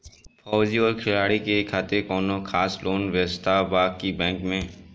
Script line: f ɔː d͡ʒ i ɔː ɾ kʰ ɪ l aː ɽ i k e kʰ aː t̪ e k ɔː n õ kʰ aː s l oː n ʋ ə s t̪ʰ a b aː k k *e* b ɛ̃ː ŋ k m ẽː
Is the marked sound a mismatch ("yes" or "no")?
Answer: yes